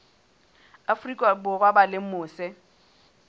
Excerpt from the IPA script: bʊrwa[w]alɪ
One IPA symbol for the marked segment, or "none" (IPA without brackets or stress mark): b